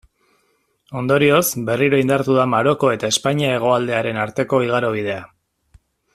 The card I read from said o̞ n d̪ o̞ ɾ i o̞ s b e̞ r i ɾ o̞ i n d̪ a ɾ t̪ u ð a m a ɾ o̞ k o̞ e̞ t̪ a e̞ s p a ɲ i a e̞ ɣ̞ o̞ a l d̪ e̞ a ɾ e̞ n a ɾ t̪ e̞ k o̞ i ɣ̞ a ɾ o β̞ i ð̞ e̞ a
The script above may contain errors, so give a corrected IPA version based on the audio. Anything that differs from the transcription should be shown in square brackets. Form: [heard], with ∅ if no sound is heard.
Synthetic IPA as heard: o̞ n d̪ o̞ ɾ i o̞ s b e̞ r i ɾ o̞ i n d̪ a ɾ t̪ u ð a m a ɾ o̞ k o̞ e̞ t̪ a e̞ s p a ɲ i a e̞ ɣ̞ o̞ a l d̪ e̞ a ɾ e̞ n a ɾ t̪ e̞ k o̞ i ɣ̞ a ɾ o β̞ i ð̞ e̞ a